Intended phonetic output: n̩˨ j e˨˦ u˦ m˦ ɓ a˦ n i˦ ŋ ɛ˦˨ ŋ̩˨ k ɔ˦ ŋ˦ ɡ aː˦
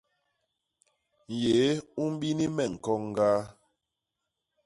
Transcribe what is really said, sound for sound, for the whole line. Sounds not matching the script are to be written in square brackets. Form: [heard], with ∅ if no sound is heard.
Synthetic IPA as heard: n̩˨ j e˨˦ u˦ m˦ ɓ [i˦] n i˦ [m] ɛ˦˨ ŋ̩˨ k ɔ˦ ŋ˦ ɡ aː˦